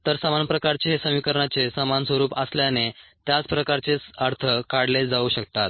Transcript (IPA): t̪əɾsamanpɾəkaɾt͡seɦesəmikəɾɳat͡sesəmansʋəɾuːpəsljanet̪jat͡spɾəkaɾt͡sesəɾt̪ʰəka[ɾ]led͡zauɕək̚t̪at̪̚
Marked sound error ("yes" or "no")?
yes